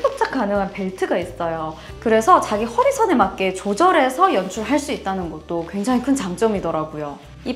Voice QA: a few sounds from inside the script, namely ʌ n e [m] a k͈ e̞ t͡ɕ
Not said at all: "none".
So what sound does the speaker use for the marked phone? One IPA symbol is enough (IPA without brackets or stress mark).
m